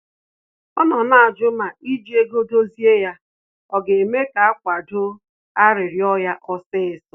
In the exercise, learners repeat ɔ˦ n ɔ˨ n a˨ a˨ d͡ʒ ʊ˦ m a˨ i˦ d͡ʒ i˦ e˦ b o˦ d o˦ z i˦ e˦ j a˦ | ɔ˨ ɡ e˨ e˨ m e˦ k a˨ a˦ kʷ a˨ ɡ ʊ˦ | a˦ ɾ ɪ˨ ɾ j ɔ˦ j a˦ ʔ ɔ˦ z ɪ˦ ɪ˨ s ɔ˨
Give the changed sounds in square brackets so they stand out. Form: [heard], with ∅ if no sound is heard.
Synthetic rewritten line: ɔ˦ n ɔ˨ n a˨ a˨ d͡ʒ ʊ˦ m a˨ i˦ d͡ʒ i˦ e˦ [ɡ] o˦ d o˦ z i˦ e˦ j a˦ | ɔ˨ ɡ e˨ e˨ m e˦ k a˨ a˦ kʷ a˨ [d] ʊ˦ | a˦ ɾ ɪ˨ ɾ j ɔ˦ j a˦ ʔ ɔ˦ [s] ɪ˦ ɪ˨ s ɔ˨

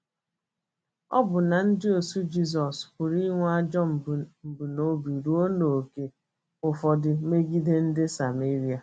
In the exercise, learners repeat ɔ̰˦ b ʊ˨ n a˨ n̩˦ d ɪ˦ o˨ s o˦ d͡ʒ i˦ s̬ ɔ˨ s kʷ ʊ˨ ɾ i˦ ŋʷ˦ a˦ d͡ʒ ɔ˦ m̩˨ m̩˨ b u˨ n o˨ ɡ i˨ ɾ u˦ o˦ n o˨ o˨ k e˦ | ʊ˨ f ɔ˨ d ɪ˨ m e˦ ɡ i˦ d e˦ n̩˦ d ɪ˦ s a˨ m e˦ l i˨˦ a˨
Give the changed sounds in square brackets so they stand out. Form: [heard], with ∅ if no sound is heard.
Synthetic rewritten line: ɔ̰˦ b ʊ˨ n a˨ n̩˦ d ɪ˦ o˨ s [u˦] d͡ʒ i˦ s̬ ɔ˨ s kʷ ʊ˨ ɾ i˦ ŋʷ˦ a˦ d͡ʒ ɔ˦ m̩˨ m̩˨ b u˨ n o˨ [b] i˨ ɾ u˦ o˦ n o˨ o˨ k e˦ | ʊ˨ f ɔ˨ d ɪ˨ m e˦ ɡ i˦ d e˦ n̩˦ d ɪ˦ s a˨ m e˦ [ɾ] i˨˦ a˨

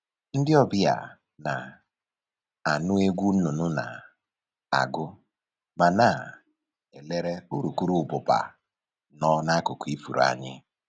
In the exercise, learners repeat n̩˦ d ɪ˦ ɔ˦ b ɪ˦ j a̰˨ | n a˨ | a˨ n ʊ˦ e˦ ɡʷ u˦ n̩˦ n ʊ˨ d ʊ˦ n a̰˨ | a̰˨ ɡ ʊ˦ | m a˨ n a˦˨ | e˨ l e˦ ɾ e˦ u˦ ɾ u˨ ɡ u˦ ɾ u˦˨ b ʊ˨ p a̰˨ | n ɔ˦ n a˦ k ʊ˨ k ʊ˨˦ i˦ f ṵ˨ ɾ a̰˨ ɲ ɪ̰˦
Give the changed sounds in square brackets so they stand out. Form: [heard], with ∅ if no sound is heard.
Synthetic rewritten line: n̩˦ d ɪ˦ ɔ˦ b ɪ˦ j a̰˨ | n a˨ | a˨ n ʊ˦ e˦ ɡʷ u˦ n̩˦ n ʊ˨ [n] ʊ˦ n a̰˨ | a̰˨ ɡ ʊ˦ | m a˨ n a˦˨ | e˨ l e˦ ɾ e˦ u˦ ɾ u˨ [k] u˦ ɾ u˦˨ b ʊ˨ p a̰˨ | n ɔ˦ n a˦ k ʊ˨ k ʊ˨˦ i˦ f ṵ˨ ɾ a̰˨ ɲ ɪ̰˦

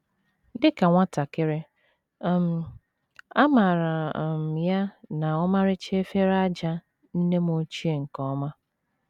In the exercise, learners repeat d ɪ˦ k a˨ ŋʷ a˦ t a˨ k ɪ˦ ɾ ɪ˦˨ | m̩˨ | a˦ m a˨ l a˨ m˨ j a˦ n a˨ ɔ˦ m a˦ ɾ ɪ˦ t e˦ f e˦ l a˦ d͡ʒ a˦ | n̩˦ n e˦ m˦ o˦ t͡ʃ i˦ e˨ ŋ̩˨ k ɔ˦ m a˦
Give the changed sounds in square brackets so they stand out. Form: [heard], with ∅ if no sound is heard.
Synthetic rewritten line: d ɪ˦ k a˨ ŋʷ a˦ t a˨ k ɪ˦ ɾ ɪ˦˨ | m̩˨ | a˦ m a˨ [ɾ] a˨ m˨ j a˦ n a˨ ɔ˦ m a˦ ɾ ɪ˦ [t͡ʃ] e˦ f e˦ [ɾ] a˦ d͡ʒ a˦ | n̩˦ n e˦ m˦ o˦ t͡ʃ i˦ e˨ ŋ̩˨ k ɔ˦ m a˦

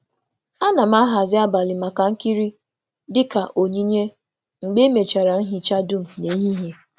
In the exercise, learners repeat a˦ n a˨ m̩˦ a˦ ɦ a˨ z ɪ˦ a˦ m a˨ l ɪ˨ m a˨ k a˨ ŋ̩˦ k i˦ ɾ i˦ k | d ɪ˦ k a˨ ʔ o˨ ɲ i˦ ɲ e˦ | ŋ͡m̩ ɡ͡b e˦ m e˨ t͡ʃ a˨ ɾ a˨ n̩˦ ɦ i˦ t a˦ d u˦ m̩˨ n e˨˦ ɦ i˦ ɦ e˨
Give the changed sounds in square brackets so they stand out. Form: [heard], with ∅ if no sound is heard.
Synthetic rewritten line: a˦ n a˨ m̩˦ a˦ ɦ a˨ z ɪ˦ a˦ [b] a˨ l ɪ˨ m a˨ k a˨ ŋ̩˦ k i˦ ɾ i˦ [∅] | d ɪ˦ k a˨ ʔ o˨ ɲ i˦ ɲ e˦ | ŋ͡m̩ ɡ͡b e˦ m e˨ t͡ʃ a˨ ɾ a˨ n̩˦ ɦ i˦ [t͡ʃ] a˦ d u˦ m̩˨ n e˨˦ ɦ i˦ ɦ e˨

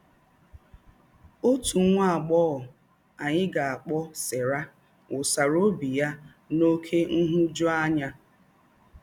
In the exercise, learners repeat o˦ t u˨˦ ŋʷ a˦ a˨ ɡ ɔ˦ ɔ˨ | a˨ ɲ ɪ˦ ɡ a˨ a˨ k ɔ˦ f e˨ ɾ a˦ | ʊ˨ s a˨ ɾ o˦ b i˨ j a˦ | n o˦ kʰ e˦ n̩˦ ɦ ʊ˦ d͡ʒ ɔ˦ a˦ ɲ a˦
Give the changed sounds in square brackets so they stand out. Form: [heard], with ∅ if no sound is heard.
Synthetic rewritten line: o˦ t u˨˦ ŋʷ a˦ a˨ [ɡ͡b] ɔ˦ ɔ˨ | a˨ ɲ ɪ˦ ɡ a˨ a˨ [k͡p] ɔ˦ [s] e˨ ɾ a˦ | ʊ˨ s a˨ ɾ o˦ b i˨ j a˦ | n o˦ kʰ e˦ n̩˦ ɦ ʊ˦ d͡ʒ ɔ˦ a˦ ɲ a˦

